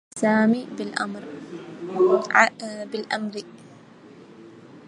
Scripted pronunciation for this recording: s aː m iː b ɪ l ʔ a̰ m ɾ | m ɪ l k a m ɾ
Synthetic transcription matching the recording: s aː m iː b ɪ l ʔ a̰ m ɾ | b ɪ l ʔ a m ɾ